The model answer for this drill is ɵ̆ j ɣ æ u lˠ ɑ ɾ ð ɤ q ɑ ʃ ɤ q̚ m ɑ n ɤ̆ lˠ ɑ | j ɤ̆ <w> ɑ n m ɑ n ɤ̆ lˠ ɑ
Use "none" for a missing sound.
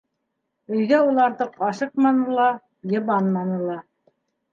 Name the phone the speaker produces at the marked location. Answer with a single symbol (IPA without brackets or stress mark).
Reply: β